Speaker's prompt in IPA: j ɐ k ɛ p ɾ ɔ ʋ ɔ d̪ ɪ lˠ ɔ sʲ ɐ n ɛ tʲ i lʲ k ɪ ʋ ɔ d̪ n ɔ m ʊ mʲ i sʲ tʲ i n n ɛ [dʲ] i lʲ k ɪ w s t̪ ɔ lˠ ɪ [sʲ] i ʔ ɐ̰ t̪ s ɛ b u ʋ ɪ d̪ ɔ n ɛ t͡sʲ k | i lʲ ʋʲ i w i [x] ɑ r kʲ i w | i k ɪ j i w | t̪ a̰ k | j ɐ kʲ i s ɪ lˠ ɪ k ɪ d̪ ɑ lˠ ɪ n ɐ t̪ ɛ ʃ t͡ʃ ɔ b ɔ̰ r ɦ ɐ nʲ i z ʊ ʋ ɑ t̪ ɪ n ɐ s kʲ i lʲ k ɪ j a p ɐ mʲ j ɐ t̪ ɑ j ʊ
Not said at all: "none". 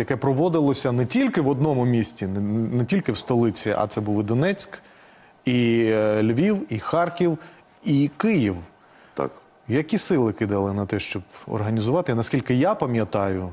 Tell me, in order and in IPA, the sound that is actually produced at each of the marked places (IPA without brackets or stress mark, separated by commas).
tʲ, t͡sʲ, x